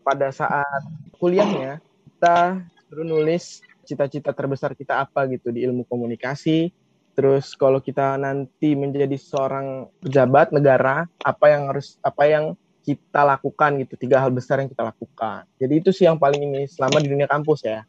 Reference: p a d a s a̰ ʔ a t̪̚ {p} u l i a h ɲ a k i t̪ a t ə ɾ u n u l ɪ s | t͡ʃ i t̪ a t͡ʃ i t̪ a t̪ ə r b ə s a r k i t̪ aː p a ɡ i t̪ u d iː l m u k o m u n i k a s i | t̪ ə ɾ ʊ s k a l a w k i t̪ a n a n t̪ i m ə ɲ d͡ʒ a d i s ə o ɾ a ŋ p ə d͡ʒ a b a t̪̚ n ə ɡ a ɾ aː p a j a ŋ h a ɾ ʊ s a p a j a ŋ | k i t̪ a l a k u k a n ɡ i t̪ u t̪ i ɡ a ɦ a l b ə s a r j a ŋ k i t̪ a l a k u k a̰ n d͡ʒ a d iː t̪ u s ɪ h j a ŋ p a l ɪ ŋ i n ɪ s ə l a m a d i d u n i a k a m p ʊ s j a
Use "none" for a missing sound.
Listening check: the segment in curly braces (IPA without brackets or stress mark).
k